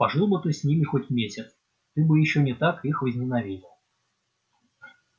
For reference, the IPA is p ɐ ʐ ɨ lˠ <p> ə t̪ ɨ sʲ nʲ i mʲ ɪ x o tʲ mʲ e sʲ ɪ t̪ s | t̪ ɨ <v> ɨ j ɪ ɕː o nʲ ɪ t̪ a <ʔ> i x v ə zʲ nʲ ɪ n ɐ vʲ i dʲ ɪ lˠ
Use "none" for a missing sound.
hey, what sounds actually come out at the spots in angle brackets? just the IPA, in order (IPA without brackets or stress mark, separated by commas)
b, b, k